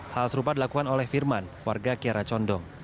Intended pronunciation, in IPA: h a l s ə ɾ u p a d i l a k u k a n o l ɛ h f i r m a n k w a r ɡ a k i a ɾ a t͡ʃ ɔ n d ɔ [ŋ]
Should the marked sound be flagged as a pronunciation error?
no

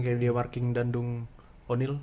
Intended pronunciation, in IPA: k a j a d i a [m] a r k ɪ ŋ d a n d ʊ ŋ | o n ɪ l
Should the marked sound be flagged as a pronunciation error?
no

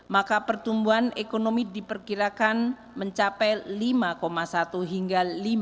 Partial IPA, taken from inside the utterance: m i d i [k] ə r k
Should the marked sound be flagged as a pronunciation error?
yes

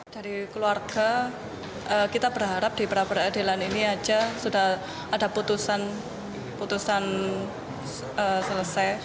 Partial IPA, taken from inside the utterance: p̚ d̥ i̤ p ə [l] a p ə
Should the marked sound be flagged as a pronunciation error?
yes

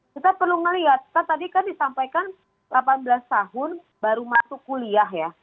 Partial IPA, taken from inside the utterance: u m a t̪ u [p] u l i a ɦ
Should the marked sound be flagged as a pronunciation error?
yes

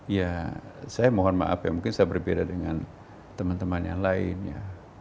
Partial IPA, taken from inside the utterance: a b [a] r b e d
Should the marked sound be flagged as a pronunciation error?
yes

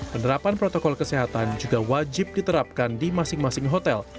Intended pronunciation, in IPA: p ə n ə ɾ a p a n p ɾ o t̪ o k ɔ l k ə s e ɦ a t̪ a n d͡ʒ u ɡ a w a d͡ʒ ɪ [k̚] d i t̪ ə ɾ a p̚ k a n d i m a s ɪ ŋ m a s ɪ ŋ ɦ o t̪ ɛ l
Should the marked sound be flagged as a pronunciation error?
yes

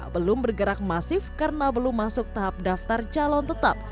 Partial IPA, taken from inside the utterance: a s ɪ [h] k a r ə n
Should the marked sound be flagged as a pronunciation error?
yes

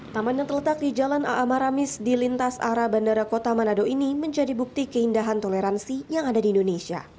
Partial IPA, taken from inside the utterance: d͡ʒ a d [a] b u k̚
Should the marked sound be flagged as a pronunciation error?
yes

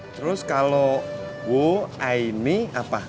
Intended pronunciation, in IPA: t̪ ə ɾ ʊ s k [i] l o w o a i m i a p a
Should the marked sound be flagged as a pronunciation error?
yes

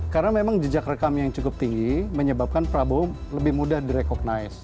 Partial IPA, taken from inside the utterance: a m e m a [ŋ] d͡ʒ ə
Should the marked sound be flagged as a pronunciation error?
no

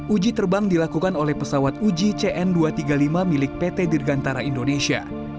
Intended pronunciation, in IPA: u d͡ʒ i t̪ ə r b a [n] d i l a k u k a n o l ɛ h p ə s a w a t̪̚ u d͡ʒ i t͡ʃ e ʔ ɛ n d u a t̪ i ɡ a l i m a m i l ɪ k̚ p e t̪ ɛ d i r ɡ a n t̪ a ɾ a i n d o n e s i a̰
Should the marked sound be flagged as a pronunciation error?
yes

